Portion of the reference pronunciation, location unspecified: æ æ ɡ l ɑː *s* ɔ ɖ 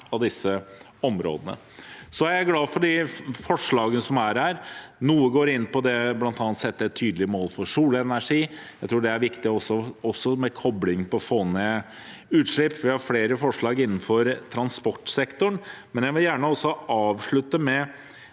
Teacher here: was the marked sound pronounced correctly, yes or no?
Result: no